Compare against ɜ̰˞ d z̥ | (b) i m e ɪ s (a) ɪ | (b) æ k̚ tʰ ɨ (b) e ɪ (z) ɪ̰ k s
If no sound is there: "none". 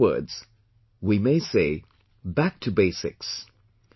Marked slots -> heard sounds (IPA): w, e, b, b, s

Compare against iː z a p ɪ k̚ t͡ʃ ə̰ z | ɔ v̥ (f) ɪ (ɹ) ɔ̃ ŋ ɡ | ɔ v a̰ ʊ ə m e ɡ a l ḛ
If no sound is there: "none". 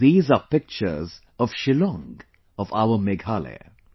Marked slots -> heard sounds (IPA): ʃ, l

